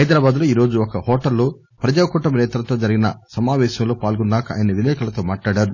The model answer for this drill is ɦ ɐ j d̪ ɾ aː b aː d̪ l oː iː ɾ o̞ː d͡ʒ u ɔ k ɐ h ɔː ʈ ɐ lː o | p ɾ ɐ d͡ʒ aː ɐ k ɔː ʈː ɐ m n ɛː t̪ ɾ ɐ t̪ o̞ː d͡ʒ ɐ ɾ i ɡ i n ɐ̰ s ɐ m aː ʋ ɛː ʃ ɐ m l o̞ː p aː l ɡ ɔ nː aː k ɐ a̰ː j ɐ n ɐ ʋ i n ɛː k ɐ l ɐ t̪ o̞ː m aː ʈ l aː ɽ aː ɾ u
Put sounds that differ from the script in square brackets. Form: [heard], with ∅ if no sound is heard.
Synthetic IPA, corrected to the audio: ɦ ɐ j d̪ ɾ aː b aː d̪ l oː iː ɾ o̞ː d͡ʒ u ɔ k ɐ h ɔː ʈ ɐ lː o | p ɾ ɐ d͡ʒ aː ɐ k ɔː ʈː ɐ m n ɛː t̪ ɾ ɐ t̪ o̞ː d͡ʒ ɐ ɾ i ɡ i n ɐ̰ s ɐ m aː ʋ ɛː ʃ ɐ m l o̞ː p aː l ɡ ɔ nː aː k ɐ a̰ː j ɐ n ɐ ʋ i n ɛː k ɐ l ɐ t̪ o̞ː m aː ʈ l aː ɽ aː ɾ u